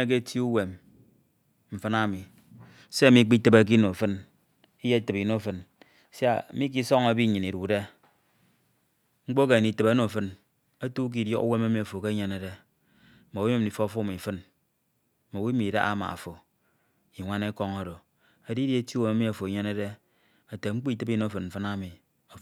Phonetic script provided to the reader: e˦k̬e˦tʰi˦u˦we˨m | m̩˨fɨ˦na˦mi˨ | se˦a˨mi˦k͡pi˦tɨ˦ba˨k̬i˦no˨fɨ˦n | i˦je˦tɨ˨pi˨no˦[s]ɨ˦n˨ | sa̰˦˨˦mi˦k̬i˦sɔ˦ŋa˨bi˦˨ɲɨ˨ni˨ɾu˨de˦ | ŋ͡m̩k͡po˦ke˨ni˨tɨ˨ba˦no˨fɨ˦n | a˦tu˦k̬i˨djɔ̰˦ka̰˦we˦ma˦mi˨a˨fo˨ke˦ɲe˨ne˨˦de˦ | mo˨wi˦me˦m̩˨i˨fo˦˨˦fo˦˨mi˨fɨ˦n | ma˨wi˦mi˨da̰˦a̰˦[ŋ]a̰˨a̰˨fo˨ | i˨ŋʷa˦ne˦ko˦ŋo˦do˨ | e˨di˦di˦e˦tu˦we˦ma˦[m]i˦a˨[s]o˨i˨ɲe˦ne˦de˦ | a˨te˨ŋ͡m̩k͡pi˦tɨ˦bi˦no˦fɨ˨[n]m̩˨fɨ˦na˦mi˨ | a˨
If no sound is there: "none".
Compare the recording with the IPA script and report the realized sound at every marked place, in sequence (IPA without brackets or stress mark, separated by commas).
f, m, m, f, n